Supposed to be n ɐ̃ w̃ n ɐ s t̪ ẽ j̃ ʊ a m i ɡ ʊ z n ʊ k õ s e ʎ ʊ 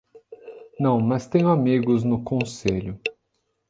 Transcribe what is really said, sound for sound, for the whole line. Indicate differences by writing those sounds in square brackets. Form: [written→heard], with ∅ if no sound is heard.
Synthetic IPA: n ɐ̃ w̃ [n→m] ɐ s t̪ ẽ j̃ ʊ a m i ɡ ʊ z n ʊ k õ s e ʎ ʊ